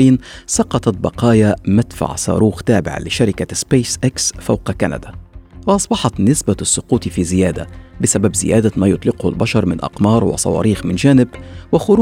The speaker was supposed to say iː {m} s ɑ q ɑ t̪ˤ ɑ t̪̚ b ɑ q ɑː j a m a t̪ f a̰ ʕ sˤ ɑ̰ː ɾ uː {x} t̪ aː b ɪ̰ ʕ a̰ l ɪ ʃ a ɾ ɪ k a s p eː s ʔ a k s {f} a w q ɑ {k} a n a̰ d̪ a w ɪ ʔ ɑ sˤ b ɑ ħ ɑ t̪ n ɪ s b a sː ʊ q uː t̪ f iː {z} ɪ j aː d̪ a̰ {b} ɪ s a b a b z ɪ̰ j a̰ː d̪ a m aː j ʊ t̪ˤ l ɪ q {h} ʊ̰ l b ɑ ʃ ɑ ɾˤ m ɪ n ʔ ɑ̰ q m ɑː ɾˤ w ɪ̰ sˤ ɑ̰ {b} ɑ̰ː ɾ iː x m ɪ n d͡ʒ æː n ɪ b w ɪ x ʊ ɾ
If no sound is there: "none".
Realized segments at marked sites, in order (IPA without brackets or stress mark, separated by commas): n, x, f, k, z, b, h, w